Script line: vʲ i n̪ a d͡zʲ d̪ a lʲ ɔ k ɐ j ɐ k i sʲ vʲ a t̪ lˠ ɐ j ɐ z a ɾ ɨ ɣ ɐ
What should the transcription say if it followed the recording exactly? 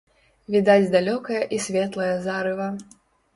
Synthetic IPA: vʲ i d̪ a d͡zʲ d̪ a lʲ ɔ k ɐ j ɐ ʔ i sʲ vʲ ɛ t̪ lˠ ɐ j ɐ z a ɾ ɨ v ɐ